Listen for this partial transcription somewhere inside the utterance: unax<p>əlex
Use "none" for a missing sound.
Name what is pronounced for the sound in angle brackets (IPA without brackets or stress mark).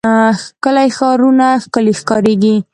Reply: k